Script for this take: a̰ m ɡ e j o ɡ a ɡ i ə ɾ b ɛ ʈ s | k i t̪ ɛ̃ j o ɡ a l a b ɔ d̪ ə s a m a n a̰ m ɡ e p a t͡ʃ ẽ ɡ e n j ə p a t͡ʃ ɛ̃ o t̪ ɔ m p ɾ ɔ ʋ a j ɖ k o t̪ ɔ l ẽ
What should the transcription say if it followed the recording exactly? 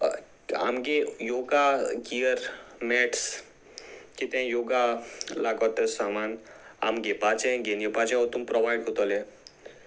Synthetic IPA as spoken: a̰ m ɡ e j o ɡ a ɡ i ə ɾ m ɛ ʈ s | k i t̪ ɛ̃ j o ɡ a l a ɡ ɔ t̪ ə s a m a n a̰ m ɡ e p a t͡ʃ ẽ ɡ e n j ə p a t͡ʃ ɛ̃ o t̪ u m p ɾ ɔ ʋ a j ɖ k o t̪ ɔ l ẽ